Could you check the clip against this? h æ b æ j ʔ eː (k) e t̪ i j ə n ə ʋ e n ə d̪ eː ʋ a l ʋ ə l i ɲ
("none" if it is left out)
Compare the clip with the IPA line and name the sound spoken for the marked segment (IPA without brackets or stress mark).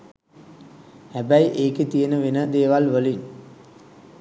k